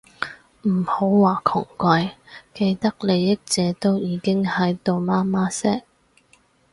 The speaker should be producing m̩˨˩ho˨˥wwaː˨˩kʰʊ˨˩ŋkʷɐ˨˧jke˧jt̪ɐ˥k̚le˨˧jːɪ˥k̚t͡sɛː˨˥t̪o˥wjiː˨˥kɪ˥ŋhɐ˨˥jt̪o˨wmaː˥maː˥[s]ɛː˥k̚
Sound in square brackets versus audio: correct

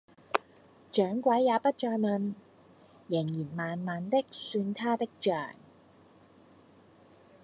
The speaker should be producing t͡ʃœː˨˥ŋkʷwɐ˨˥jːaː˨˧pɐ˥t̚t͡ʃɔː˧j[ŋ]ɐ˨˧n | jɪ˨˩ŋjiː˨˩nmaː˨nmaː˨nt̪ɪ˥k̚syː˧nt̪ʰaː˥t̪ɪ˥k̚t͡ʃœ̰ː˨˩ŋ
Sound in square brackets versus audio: incorrect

